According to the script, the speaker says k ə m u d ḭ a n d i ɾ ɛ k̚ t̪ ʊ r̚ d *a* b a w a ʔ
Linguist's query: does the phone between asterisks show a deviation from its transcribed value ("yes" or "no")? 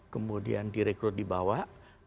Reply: yes